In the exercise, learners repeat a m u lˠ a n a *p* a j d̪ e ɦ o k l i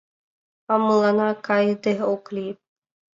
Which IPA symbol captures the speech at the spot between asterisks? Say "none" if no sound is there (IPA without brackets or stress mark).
k